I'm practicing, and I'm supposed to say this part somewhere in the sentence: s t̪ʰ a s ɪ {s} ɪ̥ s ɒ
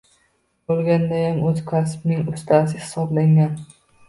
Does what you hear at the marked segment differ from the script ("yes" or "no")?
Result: yes